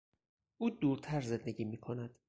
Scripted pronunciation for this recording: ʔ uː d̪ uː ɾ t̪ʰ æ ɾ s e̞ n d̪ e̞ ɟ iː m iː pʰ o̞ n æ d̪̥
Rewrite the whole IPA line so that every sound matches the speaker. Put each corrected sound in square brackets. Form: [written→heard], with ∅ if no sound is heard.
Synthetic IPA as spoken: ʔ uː d̪ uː ɾ t̪ʰ æ ɾ [s→z] e̞ n d̪ e̞ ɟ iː m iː [pʰ→kʰ] o̞ n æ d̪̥